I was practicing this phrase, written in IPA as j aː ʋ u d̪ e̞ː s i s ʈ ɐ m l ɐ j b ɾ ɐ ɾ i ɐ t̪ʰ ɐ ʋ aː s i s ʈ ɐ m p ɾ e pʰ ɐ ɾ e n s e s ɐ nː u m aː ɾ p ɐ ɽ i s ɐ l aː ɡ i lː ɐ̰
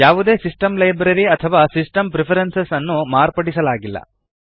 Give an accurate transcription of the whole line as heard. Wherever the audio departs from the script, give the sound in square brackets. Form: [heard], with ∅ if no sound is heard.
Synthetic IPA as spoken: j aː ʋ u d̪ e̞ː s i s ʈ ɐ m l ɐ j b ɾ ɐ ɾ i ɐ t̪ʰ ɐ ʋ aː s i s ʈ ɐ m p ɾ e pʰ ɐ ɾ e n s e s ɐ nː u m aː ɾ p ɐ ɽ i s ɐ l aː ɡ i lː ɐ̰